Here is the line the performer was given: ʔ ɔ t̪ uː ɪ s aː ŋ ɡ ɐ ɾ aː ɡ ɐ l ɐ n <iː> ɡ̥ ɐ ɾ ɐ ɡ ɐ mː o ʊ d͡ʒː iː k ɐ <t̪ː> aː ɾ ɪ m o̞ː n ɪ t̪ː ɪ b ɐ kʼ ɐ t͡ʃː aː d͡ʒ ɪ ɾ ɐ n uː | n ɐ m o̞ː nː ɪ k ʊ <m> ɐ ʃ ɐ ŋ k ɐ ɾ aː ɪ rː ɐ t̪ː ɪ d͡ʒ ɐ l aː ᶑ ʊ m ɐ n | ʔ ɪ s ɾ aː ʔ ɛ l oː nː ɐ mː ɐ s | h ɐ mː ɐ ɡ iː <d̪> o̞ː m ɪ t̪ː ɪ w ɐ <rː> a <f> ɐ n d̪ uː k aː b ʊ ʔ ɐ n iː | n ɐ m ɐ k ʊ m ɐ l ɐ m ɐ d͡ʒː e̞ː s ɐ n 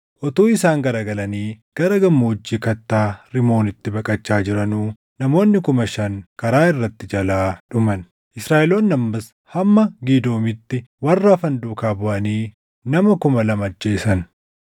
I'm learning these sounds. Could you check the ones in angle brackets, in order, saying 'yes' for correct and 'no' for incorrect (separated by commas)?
yes, yes, yes, yes, yes, yes